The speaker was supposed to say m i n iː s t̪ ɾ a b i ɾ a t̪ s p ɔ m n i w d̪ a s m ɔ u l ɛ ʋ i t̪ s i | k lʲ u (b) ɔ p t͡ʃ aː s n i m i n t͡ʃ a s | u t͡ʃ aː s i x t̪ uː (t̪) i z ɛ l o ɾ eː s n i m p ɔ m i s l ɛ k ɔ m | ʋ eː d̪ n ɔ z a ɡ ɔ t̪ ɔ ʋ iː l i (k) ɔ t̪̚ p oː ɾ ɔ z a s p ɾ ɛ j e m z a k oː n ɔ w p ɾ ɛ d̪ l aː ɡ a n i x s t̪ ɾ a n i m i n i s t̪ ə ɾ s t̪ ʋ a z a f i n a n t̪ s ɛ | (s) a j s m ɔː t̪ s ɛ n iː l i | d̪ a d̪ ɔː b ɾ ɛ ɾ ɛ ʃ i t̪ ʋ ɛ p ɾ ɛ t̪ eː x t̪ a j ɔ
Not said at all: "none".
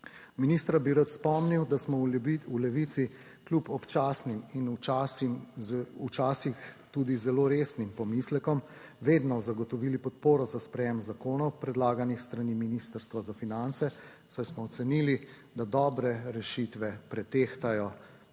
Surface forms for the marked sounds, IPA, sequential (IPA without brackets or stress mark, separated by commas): p, d̪, p, s